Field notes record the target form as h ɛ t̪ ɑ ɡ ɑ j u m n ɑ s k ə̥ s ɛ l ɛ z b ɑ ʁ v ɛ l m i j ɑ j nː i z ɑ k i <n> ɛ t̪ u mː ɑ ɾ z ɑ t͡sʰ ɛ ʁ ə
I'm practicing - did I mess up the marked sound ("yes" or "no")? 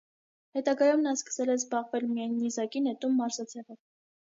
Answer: no